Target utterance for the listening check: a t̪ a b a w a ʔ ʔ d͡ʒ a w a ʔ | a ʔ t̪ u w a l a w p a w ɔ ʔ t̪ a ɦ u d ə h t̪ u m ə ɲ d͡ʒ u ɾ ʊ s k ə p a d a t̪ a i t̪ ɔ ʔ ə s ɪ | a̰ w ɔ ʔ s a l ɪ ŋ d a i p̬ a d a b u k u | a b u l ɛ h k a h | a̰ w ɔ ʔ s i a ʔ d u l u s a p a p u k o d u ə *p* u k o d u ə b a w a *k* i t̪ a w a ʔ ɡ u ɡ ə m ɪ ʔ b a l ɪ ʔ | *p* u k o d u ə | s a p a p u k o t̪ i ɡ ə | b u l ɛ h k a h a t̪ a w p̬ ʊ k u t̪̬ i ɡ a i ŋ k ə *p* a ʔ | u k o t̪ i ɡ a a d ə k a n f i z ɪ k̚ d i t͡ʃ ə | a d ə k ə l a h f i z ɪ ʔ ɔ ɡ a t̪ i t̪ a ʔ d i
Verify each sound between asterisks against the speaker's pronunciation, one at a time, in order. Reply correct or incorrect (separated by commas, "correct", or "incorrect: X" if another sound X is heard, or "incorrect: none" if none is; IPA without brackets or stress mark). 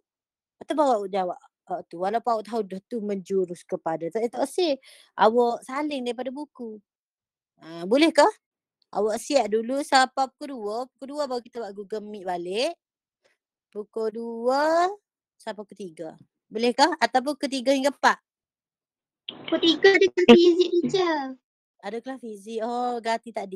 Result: correct, correct, correct, correct